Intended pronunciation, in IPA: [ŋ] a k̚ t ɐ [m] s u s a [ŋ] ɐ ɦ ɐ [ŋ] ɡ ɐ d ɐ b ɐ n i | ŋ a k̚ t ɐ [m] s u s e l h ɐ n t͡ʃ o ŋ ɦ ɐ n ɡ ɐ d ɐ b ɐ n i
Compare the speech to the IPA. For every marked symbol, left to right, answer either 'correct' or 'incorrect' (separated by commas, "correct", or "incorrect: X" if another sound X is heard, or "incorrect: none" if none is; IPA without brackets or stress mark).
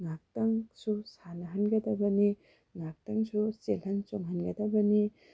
correct, incorrect: ŋ, incorrect: n, incorrect: n, incorrect: ŋ